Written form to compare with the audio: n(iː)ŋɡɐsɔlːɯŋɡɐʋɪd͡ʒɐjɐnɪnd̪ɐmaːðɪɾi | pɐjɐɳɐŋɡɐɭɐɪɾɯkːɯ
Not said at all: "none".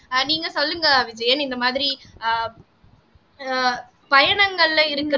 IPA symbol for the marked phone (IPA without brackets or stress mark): iː